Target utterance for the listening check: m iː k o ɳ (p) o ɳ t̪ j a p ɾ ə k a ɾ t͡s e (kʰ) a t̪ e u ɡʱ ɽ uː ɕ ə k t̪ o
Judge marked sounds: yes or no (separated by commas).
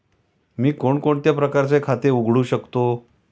no, yes